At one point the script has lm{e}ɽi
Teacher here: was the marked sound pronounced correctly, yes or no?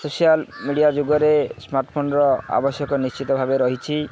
no